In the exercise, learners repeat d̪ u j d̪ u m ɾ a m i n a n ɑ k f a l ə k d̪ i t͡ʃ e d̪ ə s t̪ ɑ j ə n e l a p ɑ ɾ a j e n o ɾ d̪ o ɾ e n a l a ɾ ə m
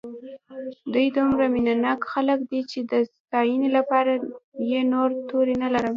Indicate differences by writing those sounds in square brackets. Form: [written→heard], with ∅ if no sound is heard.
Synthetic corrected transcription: d̪ u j d̪ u m ɾ a m i n a n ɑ k [f→x] a l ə k d̪ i t͡ʃ e d̪ ə s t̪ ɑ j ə n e l a p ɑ ɾ a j e n o ɾ [d̪→t̪] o ɾ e n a l a ɾ ə m